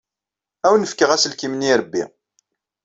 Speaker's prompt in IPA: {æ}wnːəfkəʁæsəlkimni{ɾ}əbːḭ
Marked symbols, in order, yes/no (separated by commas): yes, yes